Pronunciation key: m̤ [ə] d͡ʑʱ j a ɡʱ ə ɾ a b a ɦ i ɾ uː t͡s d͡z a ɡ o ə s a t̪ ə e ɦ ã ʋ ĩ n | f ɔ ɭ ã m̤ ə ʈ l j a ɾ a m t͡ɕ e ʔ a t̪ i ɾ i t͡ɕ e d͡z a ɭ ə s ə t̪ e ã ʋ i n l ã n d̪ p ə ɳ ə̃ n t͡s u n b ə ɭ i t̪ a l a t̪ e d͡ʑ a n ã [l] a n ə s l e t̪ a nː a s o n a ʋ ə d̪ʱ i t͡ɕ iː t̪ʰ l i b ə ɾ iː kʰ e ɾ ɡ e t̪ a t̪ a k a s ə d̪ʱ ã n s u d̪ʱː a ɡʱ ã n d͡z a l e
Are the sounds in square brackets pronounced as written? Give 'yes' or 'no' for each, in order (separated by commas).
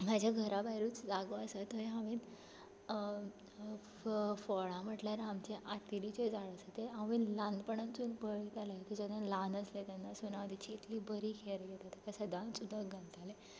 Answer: no, yes